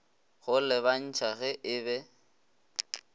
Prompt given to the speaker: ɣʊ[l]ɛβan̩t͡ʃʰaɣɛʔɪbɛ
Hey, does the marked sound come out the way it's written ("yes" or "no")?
yes